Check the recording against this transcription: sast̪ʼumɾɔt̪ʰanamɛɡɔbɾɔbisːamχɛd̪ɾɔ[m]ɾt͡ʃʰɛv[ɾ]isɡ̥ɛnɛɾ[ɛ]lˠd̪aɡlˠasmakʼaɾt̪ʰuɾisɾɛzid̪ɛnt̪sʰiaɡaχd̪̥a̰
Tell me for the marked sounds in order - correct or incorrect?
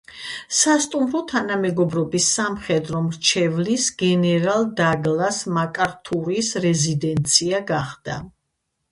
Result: correct, incorrect, incorrect

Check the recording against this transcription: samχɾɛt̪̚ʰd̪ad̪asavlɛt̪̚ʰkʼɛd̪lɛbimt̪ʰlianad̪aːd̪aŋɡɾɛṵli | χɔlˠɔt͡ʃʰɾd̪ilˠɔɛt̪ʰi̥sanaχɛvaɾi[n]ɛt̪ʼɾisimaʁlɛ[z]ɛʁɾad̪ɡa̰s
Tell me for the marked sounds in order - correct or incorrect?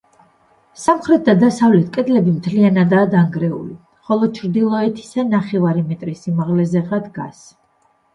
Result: incorrect, correct

